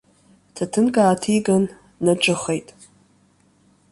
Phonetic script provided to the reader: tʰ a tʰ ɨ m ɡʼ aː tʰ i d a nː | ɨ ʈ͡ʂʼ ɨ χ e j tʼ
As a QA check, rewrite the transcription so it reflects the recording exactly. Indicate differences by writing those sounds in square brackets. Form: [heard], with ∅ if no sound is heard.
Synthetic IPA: tʰ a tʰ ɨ [n] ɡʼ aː tʰ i [ɡ] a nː | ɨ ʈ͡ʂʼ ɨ χ e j tʼ